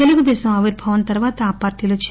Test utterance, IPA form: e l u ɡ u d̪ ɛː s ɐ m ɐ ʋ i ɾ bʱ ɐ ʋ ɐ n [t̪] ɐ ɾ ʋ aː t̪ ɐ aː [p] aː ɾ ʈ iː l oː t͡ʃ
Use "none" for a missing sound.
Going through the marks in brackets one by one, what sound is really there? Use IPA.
t̪, p

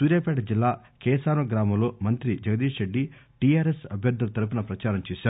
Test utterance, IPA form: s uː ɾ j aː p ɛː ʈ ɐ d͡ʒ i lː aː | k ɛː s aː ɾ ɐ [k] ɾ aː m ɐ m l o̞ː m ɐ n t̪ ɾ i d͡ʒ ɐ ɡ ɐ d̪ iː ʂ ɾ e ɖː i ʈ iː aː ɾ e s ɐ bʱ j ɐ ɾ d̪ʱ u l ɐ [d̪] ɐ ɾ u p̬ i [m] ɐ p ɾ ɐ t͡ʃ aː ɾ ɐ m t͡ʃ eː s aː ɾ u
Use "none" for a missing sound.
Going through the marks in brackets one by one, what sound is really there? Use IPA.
ɡ, t̪, n

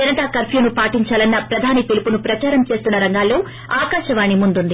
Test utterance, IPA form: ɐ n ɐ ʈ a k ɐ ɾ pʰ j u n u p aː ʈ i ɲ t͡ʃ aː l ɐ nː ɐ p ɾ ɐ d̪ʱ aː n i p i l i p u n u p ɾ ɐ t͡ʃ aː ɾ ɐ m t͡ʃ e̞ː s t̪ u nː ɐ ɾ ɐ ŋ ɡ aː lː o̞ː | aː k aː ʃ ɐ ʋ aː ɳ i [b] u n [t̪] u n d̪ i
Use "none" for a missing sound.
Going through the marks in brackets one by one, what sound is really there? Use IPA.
m, d̪

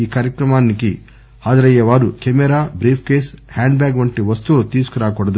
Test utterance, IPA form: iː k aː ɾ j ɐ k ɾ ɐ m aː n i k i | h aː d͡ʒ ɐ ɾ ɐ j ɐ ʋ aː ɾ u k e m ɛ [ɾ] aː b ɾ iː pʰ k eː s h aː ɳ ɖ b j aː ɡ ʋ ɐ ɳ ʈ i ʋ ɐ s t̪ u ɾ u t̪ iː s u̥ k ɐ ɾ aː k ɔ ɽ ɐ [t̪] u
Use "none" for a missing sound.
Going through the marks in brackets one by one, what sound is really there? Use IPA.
ɾ, d̪

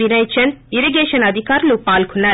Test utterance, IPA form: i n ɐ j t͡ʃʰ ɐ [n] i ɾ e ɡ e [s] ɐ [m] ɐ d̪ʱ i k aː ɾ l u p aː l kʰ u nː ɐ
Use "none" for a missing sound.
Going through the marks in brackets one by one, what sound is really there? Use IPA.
n, ʃ, n

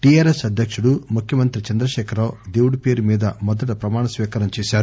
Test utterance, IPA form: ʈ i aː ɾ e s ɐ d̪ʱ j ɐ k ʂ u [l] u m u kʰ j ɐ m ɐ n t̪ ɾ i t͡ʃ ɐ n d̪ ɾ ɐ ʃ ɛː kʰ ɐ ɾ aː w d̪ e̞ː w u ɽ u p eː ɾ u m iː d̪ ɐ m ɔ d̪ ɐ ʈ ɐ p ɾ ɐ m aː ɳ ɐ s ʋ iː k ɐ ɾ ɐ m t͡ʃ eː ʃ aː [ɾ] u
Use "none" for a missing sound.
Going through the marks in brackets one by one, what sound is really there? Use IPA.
ɽ, ɾ

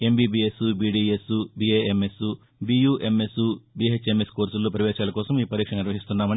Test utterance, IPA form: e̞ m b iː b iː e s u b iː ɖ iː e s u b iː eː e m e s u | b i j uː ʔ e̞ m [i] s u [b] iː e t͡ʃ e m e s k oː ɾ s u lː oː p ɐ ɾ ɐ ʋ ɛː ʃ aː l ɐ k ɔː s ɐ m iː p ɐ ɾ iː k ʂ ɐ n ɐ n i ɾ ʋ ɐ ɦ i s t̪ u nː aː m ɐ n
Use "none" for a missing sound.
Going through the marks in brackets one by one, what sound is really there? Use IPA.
e, b

